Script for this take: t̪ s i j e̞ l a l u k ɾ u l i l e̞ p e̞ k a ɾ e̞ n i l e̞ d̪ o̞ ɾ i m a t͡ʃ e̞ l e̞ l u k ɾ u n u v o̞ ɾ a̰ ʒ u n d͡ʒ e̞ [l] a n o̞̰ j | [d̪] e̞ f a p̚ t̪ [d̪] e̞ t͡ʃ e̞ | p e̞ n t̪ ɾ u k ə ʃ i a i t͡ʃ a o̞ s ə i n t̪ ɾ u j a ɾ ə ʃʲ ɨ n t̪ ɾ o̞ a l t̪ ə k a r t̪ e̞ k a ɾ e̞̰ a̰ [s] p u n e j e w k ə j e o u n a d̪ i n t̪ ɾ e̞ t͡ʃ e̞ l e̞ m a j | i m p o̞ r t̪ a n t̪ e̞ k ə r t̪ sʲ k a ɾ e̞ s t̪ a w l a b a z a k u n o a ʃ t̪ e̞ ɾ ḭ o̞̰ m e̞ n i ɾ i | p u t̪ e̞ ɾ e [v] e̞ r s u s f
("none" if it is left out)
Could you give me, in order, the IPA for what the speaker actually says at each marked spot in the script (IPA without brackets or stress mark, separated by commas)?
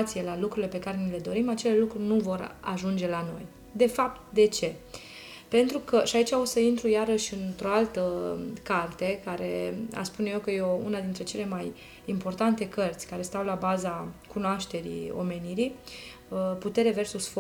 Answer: l, d̪, d̪, s, v